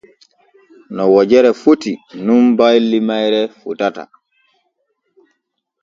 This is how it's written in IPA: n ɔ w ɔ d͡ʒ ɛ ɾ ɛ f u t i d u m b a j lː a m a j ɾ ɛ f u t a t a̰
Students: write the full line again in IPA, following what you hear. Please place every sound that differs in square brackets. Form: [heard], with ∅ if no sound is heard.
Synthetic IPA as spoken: n ɔ w ɔ d͡ʒ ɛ ɾ ɛ f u t i [n] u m b a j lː [i] m a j ɾ ɛ f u t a t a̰